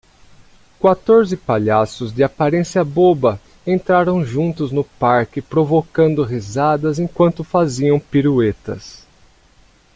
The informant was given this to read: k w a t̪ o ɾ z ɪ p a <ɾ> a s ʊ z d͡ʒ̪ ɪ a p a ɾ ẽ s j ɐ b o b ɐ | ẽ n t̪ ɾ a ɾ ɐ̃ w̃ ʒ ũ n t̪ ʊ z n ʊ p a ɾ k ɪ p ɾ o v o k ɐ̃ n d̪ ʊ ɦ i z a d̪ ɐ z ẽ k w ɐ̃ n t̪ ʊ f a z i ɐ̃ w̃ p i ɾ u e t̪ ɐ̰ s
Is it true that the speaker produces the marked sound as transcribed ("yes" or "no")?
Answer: no